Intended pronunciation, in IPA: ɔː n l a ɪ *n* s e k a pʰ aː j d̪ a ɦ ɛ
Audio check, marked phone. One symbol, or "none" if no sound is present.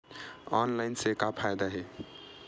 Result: n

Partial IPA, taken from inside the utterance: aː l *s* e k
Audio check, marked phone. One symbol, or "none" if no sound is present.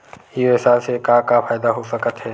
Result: s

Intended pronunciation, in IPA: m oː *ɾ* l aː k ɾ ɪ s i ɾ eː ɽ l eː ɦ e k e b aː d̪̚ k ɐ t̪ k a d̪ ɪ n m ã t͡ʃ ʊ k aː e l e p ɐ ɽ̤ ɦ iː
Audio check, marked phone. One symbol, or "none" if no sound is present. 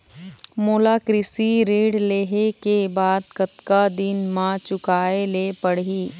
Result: none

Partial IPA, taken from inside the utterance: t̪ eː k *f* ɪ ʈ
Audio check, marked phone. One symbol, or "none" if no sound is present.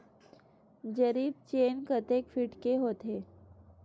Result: f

